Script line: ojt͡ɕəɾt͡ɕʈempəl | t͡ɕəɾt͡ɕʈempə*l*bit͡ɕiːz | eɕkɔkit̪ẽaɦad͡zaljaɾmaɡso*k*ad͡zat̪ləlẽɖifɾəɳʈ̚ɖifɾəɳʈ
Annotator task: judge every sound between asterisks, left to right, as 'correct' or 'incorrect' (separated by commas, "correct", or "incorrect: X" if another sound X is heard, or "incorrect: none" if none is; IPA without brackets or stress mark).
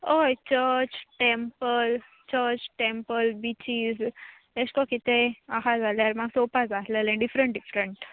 correct, incorrect: p